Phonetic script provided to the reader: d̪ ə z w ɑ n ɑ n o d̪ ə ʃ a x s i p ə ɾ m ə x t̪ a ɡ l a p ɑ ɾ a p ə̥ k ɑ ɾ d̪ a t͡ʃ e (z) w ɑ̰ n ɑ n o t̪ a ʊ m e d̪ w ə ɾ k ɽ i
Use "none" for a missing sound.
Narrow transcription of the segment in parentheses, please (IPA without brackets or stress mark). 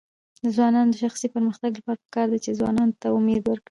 z